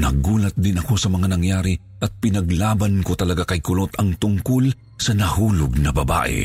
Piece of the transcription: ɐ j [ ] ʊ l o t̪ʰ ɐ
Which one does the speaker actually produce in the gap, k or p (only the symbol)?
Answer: k